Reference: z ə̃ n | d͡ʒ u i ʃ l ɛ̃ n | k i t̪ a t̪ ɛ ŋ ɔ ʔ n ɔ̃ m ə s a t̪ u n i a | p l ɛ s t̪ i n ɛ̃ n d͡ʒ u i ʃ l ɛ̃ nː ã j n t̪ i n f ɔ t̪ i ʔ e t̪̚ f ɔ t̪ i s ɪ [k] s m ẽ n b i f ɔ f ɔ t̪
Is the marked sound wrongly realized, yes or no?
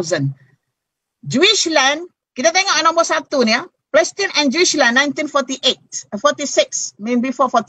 no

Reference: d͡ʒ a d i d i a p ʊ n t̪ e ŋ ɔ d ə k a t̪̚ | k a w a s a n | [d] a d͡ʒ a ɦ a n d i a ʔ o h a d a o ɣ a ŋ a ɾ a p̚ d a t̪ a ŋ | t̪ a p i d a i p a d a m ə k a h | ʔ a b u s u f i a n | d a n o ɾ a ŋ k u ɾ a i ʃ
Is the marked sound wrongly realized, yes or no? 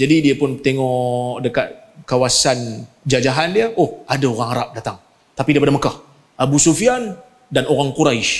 yes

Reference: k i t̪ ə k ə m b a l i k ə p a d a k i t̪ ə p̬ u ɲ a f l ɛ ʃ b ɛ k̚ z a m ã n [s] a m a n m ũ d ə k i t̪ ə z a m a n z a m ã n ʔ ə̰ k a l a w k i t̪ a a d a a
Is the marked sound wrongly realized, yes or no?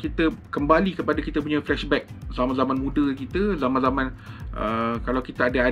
yes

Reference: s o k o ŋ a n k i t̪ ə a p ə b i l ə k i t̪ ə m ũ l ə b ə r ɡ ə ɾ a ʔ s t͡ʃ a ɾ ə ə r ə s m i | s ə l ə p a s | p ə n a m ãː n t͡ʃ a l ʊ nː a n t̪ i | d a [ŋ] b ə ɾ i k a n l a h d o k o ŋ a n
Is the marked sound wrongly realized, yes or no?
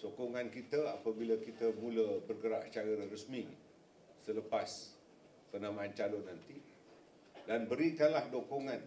yes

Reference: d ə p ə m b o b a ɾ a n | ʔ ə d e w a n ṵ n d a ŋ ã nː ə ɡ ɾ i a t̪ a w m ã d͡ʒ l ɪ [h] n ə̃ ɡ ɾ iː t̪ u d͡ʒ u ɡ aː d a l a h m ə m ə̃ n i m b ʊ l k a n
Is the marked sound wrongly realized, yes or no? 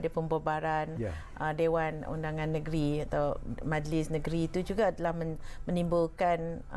yes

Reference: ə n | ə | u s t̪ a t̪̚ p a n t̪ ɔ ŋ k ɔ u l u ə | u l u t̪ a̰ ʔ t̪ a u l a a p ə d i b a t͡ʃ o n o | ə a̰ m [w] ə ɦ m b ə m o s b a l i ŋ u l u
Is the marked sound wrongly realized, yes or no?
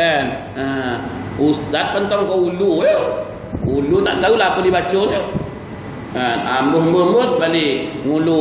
yes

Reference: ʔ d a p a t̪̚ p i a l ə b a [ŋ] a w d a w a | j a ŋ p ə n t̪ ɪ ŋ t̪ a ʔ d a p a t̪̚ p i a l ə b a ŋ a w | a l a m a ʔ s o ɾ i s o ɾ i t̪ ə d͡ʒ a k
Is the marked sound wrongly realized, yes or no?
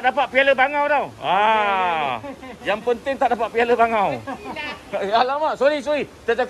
no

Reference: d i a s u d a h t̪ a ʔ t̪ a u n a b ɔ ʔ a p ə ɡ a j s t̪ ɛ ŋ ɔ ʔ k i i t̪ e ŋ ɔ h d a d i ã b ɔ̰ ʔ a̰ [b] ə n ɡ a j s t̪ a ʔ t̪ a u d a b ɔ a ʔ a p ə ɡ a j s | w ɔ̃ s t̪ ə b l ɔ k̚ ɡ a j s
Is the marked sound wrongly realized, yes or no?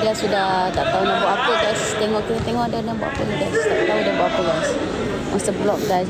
yes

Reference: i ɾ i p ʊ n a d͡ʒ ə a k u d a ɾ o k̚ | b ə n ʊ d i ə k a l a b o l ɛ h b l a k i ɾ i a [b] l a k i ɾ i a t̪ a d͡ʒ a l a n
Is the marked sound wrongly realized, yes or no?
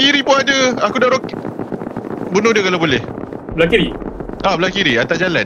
no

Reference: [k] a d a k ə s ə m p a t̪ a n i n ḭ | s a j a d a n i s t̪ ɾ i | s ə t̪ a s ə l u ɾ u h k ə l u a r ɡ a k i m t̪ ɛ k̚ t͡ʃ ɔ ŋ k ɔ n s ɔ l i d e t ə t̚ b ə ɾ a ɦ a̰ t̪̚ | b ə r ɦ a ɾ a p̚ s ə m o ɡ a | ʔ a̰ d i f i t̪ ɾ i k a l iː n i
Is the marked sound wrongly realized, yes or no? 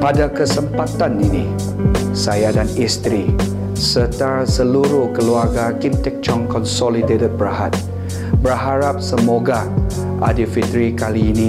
yes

